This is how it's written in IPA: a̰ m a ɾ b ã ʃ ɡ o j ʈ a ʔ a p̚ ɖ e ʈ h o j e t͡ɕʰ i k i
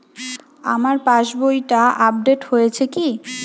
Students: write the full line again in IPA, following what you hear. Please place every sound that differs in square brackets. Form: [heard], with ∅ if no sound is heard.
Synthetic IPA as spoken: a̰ m a ɾ [p] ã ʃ [b] o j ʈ a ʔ a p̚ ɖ e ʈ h o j e t͡ɕʰ [e] k i